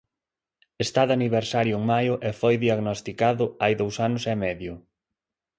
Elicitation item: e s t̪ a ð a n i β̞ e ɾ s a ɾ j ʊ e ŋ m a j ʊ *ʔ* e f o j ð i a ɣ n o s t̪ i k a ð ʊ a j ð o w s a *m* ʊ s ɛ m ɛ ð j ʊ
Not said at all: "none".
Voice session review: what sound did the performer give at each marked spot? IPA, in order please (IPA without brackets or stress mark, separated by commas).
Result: ʔ, n